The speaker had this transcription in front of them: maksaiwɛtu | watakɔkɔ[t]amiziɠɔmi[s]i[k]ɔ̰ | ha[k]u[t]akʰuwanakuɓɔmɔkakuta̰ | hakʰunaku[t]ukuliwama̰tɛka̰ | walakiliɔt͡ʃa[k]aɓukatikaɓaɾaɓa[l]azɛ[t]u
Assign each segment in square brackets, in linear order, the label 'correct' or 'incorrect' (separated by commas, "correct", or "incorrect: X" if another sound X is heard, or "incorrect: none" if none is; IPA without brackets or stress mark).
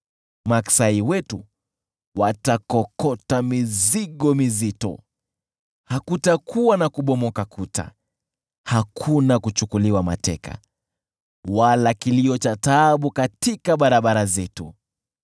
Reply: correct, incorrect: z, incorrect: t, correct, correct, incorrect: t͡ʃ, incorrect: t, incorrect: ɾ, correct